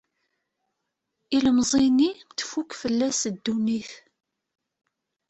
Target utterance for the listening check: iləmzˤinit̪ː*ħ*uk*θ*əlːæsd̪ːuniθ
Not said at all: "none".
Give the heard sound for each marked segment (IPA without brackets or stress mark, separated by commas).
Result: f, f